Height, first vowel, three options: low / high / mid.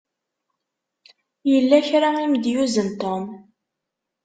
mid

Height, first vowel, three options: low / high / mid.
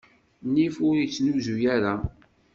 high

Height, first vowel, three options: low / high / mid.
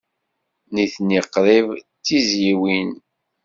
high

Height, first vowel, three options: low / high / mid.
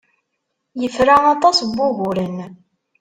mid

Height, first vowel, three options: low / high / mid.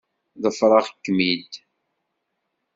mid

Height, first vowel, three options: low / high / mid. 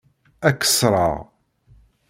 low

